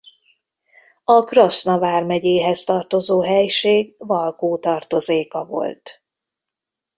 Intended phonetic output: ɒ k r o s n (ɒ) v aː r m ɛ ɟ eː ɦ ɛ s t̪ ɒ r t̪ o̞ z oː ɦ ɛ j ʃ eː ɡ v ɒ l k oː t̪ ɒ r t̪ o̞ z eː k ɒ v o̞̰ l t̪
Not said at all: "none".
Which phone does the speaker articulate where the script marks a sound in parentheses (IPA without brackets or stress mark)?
ɒ